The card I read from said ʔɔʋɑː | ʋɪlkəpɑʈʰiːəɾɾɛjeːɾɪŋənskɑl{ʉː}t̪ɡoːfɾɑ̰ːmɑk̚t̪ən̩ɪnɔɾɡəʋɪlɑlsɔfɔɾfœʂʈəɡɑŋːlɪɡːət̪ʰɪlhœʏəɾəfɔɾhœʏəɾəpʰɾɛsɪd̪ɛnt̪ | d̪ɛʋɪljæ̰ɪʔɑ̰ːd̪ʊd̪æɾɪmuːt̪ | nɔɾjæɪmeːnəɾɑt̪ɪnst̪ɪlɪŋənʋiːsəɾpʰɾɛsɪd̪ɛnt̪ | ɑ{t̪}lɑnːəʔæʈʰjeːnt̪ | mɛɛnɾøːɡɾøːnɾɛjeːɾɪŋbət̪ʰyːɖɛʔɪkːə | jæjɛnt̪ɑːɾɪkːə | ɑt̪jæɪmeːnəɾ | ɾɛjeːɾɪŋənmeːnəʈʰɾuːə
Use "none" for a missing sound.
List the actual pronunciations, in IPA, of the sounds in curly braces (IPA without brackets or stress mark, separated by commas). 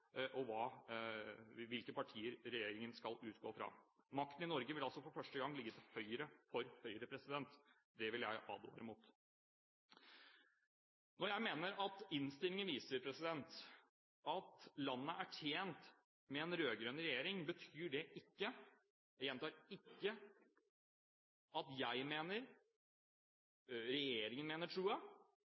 ʉː, t̪